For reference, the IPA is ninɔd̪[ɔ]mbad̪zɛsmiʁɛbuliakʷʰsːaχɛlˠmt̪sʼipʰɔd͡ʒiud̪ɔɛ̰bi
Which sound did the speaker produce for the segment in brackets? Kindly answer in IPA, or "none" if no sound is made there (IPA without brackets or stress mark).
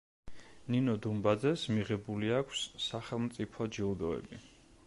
u